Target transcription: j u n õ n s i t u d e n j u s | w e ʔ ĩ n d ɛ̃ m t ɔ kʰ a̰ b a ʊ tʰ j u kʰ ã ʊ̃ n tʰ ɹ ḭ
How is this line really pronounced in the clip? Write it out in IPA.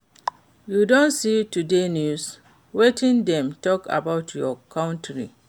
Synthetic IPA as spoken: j u d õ n s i t u d e n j u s | w e t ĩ n d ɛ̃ m t ɔ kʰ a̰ b a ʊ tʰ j ɔ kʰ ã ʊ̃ n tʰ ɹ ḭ